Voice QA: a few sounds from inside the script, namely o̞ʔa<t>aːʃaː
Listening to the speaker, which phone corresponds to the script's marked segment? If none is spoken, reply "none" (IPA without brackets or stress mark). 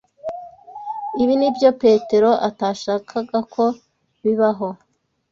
t